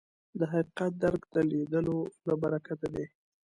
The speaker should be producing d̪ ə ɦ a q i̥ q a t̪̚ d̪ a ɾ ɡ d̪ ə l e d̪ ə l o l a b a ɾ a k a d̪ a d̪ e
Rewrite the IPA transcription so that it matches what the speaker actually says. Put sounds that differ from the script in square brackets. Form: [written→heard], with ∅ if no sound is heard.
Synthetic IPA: d̪ ə ɦ a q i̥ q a t̪̚ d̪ a ɾ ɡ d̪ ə l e d̪ ə l o l a b a ɾ a k a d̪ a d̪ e